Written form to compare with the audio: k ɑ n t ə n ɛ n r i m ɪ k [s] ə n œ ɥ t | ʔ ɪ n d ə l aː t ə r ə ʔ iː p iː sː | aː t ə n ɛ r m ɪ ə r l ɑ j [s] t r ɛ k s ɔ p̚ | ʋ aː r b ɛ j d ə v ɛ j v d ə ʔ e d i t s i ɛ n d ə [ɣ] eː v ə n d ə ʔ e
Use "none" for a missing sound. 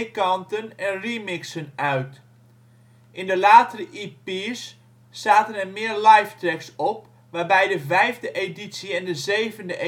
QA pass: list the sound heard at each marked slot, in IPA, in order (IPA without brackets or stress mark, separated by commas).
s, f, z